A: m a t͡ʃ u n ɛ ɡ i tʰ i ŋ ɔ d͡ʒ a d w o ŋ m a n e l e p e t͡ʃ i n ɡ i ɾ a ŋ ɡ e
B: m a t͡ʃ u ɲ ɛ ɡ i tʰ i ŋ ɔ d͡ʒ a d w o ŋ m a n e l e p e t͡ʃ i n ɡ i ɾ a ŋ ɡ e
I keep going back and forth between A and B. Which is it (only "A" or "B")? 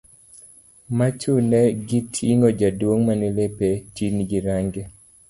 A